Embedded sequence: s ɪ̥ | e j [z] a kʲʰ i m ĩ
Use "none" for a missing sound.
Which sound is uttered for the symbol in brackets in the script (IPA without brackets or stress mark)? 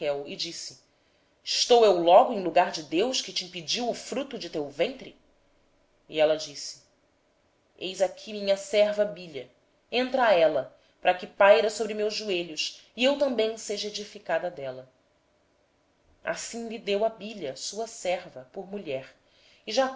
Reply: z